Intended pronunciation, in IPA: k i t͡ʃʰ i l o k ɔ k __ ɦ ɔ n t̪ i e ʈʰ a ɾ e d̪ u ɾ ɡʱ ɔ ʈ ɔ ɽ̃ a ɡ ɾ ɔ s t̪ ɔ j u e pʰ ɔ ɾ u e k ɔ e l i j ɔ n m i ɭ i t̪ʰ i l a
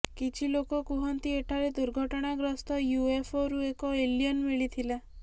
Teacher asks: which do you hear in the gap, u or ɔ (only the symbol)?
u